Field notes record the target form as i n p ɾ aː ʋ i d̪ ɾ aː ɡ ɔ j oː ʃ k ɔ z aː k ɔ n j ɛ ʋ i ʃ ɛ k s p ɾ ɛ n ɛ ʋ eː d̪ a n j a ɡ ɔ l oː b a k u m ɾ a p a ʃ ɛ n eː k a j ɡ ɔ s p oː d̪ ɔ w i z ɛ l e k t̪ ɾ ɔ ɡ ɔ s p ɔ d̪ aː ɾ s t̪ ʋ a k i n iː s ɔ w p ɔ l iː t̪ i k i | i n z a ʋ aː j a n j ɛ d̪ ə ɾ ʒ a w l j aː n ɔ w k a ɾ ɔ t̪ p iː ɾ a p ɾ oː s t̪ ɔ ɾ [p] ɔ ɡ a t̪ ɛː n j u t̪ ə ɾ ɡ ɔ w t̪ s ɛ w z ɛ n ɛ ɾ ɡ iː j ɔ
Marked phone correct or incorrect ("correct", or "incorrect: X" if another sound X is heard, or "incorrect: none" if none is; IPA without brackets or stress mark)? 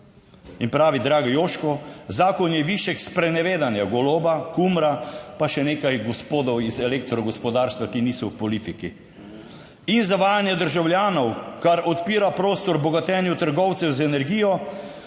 incorrect: b